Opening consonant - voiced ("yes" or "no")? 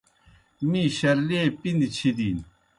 yes